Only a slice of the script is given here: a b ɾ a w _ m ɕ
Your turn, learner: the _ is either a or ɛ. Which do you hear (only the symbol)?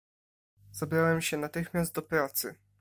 ɛ